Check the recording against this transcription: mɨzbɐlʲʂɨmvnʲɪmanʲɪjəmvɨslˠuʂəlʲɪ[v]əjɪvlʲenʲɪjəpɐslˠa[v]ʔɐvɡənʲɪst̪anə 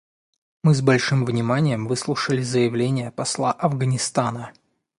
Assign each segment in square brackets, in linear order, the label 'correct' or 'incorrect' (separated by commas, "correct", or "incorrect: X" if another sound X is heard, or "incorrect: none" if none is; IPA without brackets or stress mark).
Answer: incorrect: z, incorrect: none